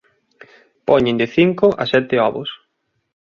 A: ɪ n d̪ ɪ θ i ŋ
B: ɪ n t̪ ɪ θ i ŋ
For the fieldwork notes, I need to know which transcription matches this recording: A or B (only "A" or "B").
A